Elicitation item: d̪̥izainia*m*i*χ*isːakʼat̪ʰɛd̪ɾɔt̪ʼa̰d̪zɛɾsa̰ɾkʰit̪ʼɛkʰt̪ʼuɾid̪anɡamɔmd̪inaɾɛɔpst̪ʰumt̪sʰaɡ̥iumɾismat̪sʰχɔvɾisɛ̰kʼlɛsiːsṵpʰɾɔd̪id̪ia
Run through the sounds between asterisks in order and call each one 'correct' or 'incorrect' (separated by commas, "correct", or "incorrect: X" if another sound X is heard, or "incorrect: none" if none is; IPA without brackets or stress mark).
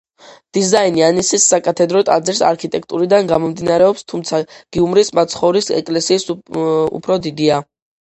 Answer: incorrect: n, incorrect: s